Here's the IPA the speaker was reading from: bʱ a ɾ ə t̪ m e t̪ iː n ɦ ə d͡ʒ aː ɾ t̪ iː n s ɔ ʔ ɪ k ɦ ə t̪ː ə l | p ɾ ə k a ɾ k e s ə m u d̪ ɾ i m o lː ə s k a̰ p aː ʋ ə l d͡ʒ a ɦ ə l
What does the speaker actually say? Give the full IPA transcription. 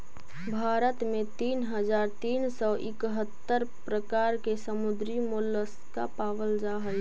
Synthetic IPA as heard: bʱ a ɾ ə t̪ m e t̪ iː n ɦ ə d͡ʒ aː ɾ t̪ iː n s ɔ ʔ ɪ k ɦ ə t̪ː ə ɾ | p ɾ ə k a ɾ k e s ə m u d̪ ɾ i m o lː ə s k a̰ p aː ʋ ə l d͡ʒ a ɦ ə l